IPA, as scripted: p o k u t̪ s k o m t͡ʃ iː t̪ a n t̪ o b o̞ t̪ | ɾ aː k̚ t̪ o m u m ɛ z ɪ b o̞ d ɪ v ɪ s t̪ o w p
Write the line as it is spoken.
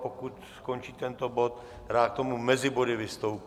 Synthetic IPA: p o k u t̪ s k o n t͡ʃ iː t̪ ɛ n t̪ o b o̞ t̪ | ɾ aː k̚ t̪ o m u m ɛ z ɪ b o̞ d ɪ v ɪ s t̪ o w p